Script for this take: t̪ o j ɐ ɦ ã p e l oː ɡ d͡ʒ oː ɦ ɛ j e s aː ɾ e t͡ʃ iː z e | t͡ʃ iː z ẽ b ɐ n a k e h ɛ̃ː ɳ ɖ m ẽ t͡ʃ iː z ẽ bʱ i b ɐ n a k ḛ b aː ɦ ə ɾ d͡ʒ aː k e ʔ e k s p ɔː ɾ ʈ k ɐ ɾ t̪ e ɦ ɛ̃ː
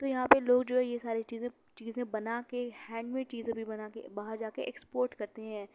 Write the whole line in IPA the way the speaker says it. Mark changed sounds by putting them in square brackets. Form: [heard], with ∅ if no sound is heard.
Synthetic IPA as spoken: t̪ o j ɐ ɦ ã p e l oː ɡ d͡ʒ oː ɦ ɛ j e s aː ɾ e t͡ʃ iː z [ẽ] | t͡ʃ iː z ẽ b ɐ n a k e h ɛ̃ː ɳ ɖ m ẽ t͡ʃ iː z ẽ bʱ i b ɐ n a k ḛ b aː ɦ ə ɾ d͡ʒ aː k e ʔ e k s p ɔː ɾ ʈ k ɐ ɾ t̪ e ɦ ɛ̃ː